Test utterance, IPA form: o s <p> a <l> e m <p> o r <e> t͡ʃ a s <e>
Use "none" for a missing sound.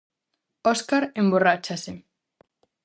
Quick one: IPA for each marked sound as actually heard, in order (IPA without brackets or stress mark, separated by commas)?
k, ɾ, b, a, e